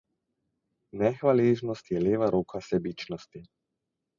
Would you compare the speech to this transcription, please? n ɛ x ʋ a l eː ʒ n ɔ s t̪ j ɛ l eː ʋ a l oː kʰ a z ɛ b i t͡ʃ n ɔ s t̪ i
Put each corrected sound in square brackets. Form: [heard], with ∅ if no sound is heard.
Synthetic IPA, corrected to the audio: n ɛ x ʋ a l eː ʒ n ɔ s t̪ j ɛ l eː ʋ a [ɾ] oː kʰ a [s] ɛ b i t͡ʃ n ɔ s t̪ i